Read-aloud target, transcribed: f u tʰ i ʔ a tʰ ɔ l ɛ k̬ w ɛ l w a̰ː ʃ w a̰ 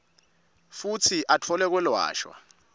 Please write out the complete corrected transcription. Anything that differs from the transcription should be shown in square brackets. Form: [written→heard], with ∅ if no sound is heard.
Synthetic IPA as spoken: f u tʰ i ʔ a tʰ ɔ l ɛ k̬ w ɛ l w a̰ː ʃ w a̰